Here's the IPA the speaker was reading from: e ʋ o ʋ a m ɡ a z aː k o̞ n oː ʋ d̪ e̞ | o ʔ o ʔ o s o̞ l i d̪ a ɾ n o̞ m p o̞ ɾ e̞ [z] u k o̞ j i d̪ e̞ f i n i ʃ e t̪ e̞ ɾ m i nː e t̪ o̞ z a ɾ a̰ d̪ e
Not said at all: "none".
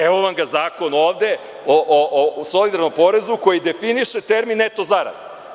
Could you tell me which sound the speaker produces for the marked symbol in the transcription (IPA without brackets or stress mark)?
z